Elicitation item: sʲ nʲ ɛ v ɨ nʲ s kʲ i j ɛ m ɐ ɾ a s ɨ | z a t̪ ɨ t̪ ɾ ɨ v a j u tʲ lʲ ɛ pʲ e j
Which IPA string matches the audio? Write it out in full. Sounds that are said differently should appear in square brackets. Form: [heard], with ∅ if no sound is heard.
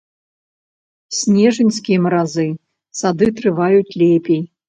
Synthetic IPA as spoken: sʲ nʲ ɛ [ʐ] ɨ nʲ s kʲ i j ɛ m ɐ ɾ a [z] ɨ | [s] a [d̪] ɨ t̪ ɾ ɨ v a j u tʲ lʲ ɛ pʲ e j